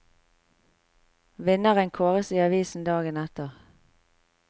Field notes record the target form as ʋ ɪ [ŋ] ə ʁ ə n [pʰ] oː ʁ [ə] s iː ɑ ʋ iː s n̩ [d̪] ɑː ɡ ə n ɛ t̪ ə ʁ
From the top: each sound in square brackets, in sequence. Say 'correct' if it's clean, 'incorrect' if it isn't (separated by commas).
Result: incorrect, incorrect, correct, correct